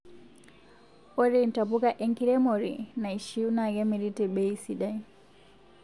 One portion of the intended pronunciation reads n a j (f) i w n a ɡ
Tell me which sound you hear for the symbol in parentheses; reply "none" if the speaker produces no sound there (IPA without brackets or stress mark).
ʃ